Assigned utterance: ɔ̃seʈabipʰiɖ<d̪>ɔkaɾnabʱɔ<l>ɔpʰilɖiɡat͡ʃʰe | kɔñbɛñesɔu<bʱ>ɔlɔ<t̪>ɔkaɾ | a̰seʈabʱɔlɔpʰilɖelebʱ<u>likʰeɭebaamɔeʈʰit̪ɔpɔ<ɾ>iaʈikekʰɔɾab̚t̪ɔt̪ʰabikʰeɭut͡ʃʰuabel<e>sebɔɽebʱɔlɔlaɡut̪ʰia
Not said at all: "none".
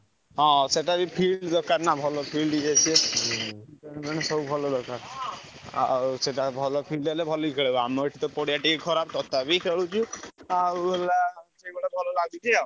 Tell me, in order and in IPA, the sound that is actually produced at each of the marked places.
d̪, l, bʱ, d̪, ɔ, ɽ, a

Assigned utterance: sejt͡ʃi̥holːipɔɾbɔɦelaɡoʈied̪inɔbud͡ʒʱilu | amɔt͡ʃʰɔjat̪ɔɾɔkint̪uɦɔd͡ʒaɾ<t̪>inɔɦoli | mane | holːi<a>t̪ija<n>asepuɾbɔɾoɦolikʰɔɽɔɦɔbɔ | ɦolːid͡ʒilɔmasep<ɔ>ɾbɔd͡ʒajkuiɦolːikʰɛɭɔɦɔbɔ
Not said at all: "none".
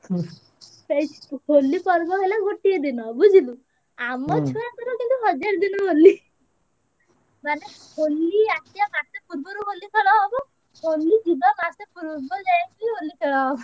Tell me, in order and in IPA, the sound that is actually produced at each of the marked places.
d̪, a, m, u

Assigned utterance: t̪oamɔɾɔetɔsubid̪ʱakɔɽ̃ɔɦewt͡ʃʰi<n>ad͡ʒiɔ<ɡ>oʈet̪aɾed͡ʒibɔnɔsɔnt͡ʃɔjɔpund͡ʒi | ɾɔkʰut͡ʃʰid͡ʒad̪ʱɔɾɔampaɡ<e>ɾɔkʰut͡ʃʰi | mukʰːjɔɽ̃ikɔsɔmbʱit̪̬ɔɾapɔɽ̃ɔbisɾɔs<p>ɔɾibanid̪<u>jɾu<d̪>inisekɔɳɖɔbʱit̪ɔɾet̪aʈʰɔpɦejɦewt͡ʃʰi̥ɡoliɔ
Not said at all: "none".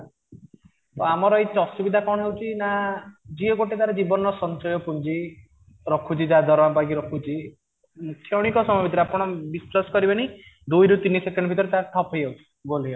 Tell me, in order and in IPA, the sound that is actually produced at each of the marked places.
n, ɡ, i, k, u, t̪

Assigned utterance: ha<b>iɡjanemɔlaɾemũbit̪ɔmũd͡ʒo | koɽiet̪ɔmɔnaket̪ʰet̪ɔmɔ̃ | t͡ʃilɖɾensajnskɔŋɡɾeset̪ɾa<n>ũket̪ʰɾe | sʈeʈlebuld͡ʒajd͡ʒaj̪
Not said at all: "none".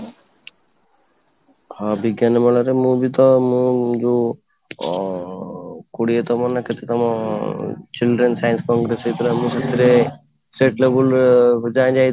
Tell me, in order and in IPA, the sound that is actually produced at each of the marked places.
b, m

